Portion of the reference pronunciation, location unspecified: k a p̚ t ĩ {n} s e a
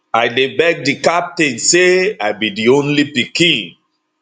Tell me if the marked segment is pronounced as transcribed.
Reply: yes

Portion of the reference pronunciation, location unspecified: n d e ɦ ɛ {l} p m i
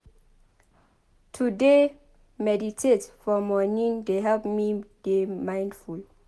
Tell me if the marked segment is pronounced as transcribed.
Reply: yes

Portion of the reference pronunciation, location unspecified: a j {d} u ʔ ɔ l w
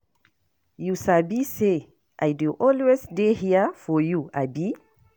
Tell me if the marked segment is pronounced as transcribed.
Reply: yes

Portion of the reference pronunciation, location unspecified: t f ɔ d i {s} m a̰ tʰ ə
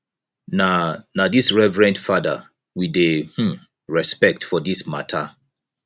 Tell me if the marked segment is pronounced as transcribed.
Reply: yes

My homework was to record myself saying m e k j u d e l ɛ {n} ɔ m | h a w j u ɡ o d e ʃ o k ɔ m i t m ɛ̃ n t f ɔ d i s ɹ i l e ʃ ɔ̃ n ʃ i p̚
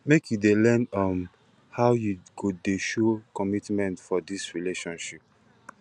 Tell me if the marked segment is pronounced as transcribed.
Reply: yes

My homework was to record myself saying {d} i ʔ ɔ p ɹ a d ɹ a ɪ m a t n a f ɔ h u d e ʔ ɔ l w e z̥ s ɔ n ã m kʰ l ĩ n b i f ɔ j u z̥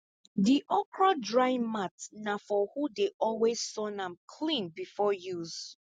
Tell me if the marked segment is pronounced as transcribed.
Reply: yes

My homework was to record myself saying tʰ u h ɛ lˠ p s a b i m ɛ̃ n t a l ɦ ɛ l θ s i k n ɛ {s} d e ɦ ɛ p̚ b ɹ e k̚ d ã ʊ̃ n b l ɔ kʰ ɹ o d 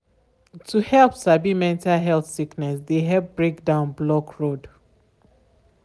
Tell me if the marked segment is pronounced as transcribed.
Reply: yes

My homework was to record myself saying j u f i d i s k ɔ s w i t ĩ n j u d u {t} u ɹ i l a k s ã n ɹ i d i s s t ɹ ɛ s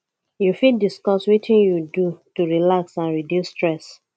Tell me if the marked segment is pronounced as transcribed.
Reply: yes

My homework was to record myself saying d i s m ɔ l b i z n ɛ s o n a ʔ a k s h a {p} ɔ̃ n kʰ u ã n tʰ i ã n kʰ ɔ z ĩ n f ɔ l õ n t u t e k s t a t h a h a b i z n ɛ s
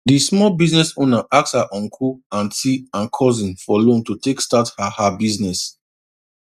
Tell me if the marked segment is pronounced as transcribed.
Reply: no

